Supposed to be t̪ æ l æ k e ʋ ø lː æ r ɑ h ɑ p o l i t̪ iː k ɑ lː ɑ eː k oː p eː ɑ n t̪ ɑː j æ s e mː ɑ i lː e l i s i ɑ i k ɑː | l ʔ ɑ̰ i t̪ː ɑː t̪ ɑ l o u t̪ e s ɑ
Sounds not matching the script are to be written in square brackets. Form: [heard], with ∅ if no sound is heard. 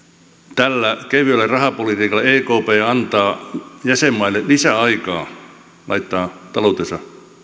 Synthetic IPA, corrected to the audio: t̪ æ [lː] æ k e ʋ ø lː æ r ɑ h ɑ p o l i t̪ iː k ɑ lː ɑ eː k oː p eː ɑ n t̪ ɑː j æ s e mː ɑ i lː e l i s [æ] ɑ i k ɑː | l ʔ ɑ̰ i t̪ː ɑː t̪ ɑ l o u t̪ e s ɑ